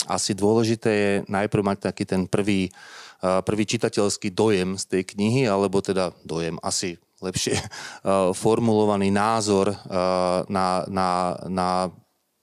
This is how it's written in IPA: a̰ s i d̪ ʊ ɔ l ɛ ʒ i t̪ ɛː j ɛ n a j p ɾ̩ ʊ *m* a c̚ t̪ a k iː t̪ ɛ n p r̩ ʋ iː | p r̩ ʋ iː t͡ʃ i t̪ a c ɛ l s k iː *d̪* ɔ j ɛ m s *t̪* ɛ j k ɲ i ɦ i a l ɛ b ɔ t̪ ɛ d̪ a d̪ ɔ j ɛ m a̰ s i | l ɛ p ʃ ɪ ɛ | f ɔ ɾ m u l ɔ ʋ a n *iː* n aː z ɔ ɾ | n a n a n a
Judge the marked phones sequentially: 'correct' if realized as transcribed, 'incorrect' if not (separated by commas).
correct, correct, correct, correct